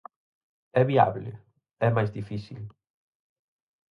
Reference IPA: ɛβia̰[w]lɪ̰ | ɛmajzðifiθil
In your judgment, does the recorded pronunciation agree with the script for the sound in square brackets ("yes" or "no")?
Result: no